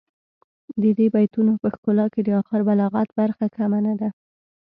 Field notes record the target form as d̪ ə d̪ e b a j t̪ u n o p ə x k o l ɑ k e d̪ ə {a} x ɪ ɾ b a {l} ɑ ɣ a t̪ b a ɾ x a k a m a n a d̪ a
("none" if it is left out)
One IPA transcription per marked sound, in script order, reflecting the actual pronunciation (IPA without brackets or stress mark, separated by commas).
ɑ, l